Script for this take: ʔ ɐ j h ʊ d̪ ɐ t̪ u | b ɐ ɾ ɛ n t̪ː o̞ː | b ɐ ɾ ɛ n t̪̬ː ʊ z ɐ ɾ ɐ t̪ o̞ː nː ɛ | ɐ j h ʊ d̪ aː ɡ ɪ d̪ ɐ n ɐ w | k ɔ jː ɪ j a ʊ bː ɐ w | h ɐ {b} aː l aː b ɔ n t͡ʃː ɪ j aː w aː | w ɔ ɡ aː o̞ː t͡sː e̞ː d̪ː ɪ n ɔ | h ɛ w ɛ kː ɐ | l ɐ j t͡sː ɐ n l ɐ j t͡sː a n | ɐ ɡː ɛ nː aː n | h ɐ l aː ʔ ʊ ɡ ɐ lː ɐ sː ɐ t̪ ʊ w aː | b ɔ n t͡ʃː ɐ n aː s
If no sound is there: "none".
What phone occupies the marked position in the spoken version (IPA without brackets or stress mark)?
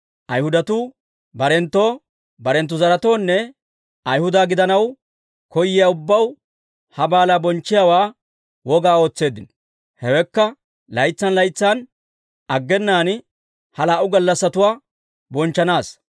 b